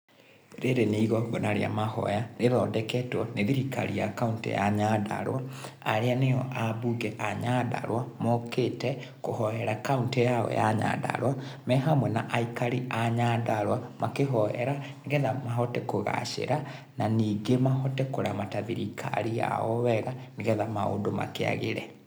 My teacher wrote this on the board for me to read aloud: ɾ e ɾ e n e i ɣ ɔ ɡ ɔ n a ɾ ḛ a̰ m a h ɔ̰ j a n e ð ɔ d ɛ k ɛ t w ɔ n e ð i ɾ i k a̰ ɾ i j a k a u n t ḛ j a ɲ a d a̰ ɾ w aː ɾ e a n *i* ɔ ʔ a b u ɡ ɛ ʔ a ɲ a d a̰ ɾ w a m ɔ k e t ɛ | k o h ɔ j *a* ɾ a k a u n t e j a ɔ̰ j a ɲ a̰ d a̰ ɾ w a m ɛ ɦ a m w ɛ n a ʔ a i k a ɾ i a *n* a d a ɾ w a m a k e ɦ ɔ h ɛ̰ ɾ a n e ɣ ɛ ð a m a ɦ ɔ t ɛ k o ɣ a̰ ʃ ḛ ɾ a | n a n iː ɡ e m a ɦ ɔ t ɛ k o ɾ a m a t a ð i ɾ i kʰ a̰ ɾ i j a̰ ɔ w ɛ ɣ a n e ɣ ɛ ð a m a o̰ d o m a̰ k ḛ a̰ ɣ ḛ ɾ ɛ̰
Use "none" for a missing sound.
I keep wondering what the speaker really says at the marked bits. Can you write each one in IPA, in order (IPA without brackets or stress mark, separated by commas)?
e, ɛ, ɲ